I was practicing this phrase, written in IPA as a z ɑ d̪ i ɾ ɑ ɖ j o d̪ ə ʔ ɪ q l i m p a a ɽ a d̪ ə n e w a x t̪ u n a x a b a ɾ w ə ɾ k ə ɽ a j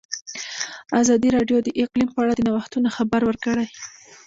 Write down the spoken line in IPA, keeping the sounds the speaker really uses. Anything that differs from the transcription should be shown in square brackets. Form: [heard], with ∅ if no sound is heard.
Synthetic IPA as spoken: a z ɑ d̪ i ɾ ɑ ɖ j o d̪ ə ʔ ɪ q l i m p [ə] a ɽ a d̪ ə n [a] w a x t̪ u n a x a b a ɾ w ə ɾ k ə ɽ a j

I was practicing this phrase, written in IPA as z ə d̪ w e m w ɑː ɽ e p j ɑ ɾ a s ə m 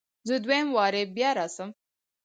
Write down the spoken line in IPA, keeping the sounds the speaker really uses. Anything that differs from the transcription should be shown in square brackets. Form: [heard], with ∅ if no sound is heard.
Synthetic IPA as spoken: z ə d̪ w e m w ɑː [ɾ] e [b] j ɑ ɾ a s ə m

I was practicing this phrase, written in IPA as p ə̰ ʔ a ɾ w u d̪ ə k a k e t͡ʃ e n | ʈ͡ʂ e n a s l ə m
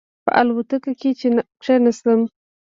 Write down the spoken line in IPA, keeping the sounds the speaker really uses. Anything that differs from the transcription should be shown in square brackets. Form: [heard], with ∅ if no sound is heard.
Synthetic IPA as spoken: p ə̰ ʔ a [l] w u [t̪] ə k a k e t͡ʃ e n | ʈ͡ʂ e n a s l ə m

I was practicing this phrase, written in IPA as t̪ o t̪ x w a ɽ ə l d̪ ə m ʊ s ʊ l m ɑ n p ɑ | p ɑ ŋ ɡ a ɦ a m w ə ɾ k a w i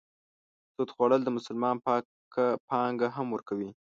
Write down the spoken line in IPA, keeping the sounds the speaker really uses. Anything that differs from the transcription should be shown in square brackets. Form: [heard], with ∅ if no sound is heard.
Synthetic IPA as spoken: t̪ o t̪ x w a ɽ ə l d̪ ə m ʊ s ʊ l m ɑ n p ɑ | p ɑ ŋ ɡ a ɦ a m w ə ɾ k a w i

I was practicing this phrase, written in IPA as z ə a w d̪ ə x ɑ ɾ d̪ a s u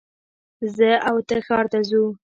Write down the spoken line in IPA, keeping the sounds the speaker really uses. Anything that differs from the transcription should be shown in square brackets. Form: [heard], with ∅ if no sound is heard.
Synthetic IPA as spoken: z ə a w [t̪] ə x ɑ ɾ [t̪] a [z] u

